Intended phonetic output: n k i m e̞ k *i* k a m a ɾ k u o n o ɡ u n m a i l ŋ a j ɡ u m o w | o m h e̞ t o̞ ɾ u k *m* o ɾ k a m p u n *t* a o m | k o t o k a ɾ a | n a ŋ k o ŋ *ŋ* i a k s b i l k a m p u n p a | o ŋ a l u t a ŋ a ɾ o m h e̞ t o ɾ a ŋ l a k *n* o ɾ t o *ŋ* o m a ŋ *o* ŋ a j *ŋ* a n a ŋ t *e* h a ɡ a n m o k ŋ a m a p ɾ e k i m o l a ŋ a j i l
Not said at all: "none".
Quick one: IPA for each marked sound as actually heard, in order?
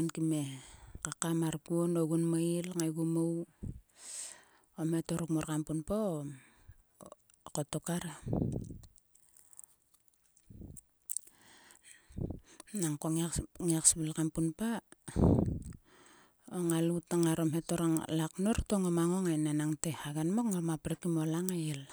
a, m, p, ŋ, n, ŋ, o, n, e

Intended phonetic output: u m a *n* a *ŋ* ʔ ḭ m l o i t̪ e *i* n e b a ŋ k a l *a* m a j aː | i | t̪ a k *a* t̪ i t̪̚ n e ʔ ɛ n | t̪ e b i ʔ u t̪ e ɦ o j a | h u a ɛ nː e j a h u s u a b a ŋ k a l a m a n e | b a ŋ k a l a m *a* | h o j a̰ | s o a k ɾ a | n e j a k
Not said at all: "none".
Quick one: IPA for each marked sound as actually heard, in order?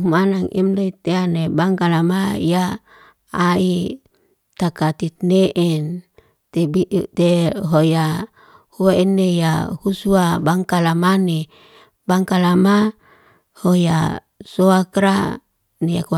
n, ŋ, a, a, a, a

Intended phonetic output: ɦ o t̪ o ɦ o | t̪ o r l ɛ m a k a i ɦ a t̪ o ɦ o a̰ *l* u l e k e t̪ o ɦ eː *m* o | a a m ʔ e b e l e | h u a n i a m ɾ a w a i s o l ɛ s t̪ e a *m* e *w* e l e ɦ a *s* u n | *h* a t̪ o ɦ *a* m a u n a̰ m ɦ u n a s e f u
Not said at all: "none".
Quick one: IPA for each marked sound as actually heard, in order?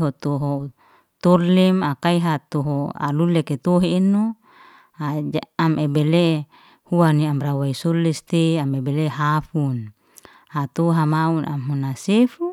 l, n, m, b, f, h, a

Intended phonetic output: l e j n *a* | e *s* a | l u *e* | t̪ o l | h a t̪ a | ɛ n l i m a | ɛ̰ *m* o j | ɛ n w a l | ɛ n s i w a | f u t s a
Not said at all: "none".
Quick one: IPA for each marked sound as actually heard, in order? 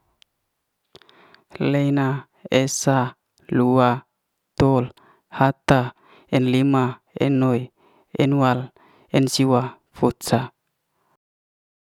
a, s, a, n

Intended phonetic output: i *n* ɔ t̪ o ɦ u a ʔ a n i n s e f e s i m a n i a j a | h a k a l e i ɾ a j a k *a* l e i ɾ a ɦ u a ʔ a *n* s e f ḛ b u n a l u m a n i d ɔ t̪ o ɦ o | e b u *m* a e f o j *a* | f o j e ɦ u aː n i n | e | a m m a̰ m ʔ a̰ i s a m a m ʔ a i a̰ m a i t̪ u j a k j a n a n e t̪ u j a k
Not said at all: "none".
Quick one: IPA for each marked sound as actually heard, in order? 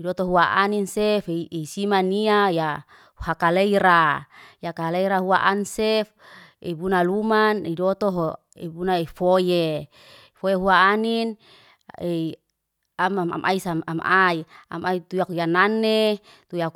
d, a, n, n, e

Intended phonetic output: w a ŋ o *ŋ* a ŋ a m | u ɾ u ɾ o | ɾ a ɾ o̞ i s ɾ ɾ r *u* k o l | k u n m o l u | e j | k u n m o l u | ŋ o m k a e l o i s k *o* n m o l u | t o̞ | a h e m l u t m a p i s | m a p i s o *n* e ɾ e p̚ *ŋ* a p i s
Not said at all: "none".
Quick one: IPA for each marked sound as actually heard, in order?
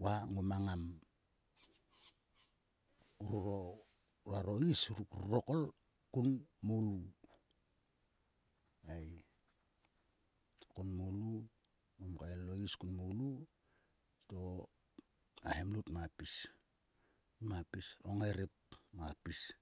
m, o, u, ŋ, m

